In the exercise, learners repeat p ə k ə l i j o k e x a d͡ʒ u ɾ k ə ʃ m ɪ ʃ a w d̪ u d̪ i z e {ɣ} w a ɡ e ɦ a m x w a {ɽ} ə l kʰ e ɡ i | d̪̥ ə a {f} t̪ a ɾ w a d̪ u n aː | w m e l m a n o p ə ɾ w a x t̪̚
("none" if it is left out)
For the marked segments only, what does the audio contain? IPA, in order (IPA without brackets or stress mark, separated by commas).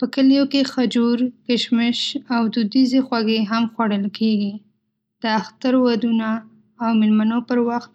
x, ɽ, x